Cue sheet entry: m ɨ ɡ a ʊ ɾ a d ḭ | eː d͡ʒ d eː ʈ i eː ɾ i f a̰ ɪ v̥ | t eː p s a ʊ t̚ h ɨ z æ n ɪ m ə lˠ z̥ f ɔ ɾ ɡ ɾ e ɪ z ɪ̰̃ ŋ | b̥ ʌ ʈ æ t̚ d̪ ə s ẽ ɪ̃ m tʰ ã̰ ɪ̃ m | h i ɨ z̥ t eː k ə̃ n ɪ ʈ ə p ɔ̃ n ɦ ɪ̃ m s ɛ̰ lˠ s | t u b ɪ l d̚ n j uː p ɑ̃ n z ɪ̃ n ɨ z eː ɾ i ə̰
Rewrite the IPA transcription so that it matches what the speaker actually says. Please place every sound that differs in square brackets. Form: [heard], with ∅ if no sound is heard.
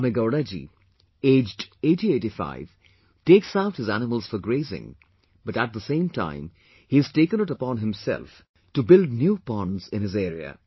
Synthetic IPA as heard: m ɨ ɡ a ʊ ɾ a [d͡ʒ] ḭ | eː d͡ʒ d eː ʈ i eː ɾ i f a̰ ɪ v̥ | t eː [k] s a ʊ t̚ h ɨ z æ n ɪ m ə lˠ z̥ f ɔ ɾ ɡ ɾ e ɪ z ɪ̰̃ ŋ | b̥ ʌ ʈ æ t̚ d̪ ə s ẽ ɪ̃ m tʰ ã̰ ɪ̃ m | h i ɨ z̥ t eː k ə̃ n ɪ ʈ ə p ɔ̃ n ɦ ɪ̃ m s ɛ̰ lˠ [f] | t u b ɪ l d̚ n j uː p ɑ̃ n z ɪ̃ n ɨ z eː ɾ i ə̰